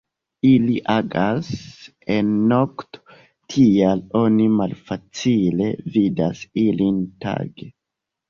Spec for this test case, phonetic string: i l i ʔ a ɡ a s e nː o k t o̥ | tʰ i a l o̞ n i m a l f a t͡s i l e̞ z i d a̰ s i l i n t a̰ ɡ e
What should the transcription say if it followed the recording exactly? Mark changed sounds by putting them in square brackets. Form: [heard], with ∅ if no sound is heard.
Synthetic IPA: i l i ʔ a ɡ a s e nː o k t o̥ | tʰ i a l o̞ n i m a l f a t͡s i l e̞ [v] i d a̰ s i l i n t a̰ ɡ e

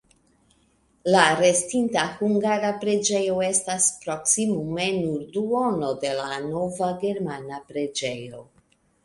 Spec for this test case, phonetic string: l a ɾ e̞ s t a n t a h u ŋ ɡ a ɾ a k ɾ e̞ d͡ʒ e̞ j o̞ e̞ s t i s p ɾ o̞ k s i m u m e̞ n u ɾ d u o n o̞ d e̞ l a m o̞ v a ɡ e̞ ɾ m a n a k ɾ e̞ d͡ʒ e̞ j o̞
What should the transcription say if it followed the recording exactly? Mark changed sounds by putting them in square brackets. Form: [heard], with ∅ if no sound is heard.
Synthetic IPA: l a ɾ e̞ s t [i] n t a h u ŋ ɡ a ɾ a [p] ɾ e̞ d͡ʒ e̞ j o̞ e̞ s t [a] s p ɾ o̞ k s i m u m e̞ n u ɾ d u o n o̞ d e̞ l a [n] o̞ v a ɡ e̞ ɾ m a n a [p] ɾ e̞ d͡ʒ e̞ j o̞

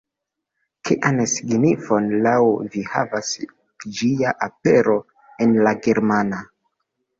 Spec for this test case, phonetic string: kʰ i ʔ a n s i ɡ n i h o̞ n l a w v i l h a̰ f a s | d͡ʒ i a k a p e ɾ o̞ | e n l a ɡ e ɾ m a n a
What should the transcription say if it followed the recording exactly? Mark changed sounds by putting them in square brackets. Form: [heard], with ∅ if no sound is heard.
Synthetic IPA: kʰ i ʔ a n s i ɡ n i [f] o̞ n l a w v i [∅] h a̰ [v] a s | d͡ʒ i a [ʔ] a p e ɾ o̞ | e n l a ɡ e ɾ m a n a

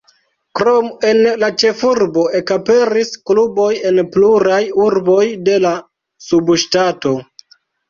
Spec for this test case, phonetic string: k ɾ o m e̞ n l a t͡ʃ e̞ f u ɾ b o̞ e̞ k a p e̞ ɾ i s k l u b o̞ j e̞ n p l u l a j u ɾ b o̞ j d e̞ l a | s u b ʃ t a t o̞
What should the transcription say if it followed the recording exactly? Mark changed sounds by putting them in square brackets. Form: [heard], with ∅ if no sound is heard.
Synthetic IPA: k ɾ o m e̞ n l a t͡ʃ e̞ f u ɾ b o̞ e̞ k a p e̞ ɾ i s k l u b o̞ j e̞ n p l u [ɾ] a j u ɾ b o̞ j d e̞ l a | s u b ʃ t a t o̞

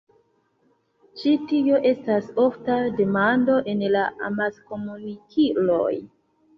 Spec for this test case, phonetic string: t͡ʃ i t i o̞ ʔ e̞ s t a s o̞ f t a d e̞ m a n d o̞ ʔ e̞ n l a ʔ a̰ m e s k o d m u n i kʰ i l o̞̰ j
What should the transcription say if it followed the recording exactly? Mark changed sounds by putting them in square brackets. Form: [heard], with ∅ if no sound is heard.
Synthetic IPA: t͡ʃ i t i o̞ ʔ e̞ s t a s o̞ f t a d e̞ m a n d o̞ ʔ e̞ n l a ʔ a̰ m [a] s k o [∅] m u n i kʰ i l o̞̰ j

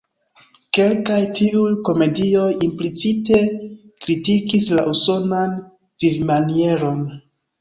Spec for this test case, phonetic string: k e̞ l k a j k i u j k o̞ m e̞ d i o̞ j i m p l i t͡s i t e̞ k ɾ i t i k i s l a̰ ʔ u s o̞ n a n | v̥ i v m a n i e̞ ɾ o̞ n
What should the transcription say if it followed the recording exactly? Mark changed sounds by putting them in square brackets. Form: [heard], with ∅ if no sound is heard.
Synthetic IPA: k e̞ l k a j [t] i u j k o̞ m e̞ d i o̞ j i m p l i t͡s i t e̞ k ɾ i t i k i s l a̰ ʔ u s o̞ n a n | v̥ i v m a n i e̞ ɾ o̞ n

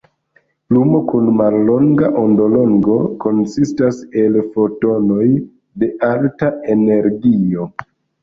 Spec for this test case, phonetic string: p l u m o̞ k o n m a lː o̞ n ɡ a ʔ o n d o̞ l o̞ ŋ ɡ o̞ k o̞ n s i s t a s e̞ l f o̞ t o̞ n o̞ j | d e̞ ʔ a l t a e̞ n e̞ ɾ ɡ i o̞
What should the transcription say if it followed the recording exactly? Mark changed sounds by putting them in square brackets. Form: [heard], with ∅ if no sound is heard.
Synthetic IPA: p l u m o̞ k [u] n m a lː o̞ [ŋ] ɡ a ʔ o n d o̞ l o̞ ŋ ɡ o̞ k o̞ n s i s t a s e̞ l f o̞ t o̞ n o̞ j | d e̞ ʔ a l t a e̞ n e̞ ɾ ɡ i o̞

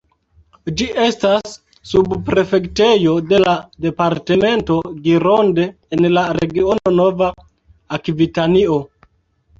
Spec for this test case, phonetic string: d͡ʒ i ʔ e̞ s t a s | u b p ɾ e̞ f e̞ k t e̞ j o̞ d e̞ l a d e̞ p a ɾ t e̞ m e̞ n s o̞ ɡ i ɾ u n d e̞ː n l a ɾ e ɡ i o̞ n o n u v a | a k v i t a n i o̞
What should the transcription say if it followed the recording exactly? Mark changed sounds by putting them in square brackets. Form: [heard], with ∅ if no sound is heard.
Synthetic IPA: d͡ʒ i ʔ e̞ s t a [sː] | u b p ɾ e̞ f e̞ k t e̞ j o̞ d e̞ l a d e̞ p a ɾ t e̞ m e̞ n [t] o̞ ɡ i ɾ [o] n d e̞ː n l a ɾ e ɡ i o̞ n o n [o] v a | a k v i t a n i o̞

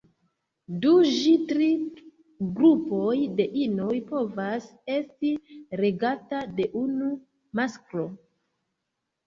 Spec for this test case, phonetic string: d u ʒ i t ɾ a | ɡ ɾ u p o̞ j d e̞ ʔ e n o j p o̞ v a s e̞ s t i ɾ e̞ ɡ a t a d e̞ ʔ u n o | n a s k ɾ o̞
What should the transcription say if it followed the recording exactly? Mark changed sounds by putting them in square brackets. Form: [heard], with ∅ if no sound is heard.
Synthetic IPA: d u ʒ i t ɾ [i] | ɡ ɾ u p o̞ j d e̞ ʔ [i] n o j p o̞ v a s e̞ s t i ɾ e̞ ɡ a t a d e̞ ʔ u n [u] | [m] a s k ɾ o̞

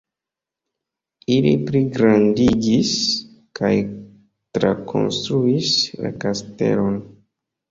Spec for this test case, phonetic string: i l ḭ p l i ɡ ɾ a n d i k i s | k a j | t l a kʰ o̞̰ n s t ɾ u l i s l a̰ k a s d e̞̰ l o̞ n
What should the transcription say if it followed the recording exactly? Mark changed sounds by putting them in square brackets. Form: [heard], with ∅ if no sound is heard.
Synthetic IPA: i l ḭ p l i ɡ ɾ a n d i [ɡ] i s | k a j | t [ɾ] a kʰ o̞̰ n s t ɾ u [∅] i s l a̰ k a s [t] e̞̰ l o̞ n

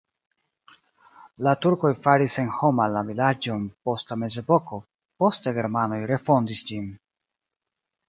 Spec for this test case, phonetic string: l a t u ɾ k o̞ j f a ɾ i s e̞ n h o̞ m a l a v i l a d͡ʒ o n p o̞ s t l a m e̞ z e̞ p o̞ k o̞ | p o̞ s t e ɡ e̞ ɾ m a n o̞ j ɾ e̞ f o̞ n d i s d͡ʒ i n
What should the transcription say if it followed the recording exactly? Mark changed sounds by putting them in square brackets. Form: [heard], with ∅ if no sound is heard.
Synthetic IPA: l a t u ɾ k o̞ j f a ɾ i s e̞ n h o̞ m a l a v i l a d͡ʒ o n p o̞ s t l a m e̞ z e̞ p o̞ k o̞ | p o̞ s t e ɡ e̞ ɾ m a n o̞ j ɾ e̞ f o̞ n d i s d͡ʒ i n

